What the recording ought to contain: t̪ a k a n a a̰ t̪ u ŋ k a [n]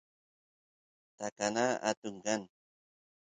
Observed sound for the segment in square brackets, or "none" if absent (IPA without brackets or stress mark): n